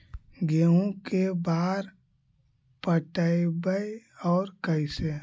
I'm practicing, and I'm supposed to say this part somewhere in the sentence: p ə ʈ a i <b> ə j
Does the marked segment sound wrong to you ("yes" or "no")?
no